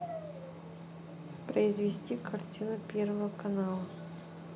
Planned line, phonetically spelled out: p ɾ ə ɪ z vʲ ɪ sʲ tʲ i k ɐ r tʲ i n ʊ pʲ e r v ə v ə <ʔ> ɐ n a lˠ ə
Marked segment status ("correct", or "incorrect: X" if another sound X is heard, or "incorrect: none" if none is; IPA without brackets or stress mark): incorrect: k